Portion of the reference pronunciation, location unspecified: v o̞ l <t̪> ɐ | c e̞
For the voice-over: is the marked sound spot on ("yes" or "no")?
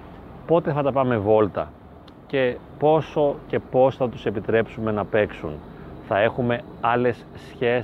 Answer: yes